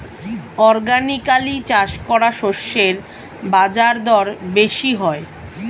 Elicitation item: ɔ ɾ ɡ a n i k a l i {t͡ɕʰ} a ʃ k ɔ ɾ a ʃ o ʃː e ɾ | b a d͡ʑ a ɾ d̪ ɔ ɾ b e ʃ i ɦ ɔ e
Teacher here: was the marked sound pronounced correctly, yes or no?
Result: no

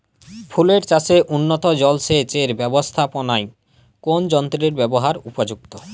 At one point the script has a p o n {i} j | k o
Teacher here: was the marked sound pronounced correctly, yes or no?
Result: no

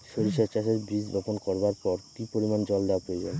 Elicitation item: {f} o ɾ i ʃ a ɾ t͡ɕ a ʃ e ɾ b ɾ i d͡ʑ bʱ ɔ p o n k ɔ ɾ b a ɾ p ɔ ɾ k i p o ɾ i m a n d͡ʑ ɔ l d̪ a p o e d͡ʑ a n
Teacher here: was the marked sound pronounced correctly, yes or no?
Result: no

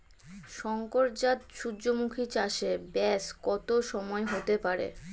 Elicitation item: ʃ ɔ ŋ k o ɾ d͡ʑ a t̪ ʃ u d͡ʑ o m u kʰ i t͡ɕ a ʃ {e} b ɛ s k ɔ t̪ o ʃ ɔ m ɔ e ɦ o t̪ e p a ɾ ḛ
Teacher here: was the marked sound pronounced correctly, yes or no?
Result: yes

